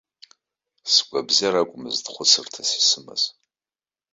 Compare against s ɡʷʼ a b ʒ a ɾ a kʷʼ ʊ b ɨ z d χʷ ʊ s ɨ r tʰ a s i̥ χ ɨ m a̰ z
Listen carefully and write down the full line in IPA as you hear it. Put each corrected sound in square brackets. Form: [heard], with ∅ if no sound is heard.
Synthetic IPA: s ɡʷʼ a b [z] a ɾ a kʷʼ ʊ [m] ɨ z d χʷ ʊ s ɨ r tʰ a s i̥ [s] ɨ m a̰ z